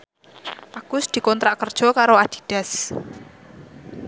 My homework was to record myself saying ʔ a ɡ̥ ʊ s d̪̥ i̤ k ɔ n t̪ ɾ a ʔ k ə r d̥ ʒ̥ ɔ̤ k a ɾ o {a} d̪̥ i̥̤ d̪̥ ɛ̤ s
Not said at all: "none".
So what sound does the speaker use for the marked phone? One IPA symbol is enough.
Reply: a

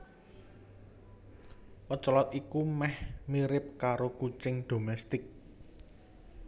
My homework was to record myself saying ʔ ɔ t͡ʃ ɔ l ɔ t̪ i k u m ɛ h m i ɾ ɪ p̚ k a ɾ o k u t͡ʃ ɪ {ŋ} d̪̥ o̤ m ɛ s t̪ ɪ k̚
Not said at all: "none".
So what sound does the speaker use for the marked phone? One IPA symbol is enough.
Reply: ŋ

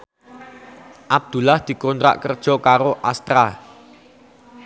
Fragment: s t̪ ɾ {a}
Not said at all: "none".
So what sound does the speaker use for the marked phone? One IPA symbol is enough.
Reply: a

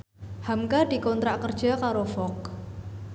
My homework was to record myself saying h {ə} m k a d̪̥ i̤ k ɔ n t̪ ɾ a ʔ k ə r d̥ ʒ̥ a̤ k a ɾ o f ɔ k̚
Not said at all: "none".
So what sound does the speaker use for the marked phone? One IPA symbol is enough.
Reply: a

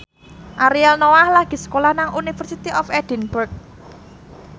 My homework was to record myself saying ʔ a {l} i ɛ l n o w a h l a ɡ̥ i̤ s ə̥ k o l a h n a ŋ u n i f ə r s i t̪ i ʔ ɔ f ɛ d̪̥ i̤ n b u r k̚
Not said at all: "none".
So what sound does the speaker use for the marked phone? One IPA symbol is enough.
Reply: ɾ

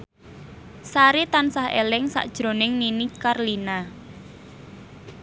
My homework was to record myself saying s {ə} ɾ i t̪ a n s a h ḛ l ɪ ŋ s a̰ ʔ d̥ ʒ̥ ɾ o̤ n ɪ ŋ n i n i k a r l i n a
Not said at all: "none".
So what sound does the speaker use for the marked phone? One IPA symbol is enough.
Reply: a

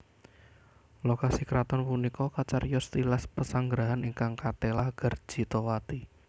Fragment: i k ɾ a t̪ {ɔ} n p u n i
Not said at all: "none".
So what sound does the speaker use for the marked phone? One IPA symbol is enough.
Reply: ɔ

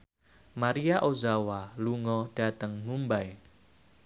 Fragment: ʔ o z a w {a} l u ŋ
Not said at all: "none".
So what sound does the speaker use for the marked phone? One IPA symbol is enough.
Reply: a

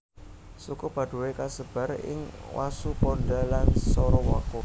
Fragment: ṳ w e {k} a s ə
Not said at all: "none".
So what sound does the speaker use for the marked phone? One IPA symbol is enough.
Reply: k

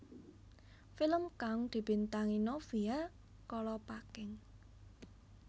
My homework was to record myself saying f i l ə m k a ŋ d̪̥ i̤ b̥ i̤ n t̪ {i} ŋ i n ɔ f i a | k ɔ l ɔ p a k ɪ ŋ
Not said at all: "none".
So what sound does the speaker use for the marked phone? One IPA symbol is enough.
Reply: a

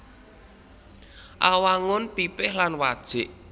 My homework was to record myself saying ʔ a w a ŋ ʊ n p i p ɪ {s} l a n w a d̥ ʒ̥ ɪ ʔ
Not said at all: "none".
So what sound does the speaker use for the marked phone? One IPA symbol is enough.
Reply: h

